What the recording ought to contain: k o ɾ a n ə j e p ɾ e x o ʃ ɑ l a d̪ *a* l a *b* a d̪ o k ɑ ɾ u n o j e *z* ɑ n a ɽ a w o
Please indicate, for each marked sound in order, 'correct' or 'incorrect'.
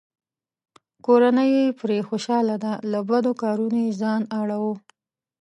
correct, correct, correct

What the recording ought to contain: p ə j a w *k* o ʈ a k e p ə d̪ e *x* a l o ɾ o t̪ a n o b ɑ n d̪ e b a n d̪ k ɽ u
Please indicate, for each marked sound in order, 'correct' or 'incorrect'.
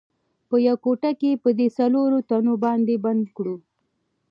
correct, incorrect

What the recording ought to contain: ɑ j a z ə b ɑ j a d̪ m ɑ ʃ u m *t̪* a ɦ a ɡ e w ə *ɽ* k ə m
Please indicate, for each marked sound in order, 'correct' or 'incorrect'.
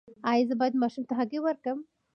correct, incorrect

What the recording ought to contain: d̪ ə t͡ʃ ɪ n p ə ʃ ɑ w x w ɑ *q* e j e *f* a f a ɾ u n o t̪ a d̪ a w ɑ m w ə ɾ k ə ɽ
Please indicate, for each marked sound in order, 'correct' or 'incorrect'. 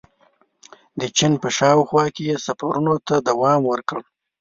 incorrect, incorrect

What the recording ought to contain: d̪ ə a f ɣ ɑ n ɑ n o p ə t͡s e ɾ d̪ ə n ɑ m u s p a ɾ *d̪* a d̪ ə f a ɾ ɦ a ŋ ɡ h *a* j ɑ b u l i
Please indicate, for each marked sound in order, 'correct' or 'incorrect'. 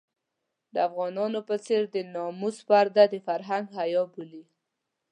correct, correct

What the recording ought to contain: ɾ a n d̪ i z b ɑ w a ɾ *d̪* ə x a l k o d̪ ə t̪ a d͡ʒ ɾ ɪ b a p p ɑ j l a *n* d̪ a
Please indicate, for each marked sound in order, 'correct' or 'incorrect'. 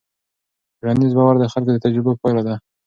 correct, incorrect

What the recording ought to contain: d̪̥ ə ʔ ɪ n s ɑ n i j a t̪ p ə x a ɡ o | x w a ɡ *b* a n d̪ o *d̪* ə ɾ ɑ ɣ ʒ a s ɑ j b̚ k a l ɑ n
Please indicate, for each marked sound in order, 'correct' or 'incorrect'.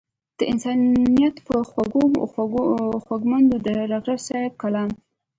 incorrect, correct

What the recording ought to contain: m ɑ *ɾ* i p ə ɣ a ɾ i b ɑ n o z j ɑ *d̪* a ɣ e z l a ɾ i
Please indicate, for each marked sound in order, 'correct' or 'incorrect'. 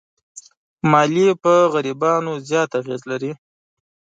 incorrect, incorrect

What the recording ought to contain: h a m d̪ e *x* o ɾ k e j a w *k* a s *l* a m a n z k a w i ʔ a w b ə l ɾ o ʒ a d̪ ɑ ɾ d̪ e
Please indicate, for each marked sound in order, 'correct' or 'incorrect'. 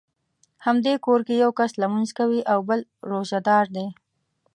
incorrect, correct, correct

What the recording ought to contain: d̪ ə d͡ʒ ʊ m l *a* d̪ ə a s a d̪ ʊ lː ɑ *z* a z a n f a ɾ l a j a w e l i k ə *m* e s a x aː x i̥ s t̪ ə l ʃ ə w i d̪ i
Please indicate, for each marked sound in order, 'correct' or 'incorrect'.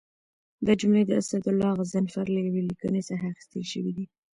incorrect, incorrect, incorrect

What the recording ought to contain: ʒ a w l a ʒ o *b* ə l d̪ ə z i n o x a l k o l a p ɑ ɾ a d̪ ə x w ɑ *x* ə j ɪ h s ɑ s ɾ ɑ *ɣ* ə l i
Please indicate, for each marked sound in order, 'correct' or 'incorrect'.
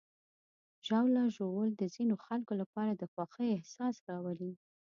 incorrect, correct, incorrect

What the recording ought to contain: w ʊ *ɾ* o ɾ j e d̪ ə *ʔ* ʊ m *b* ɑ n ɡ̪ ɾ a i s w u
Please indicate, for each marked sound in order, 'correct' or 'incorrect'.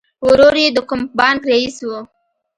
correct, incorrect, correct

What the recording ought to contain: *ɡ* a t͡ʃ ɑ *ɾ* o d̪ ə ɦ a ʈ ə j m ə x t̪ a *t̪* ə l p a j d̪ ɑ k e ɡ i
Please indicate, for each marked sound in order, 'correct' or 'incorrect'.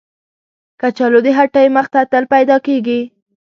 incorrect, incorrect, correct

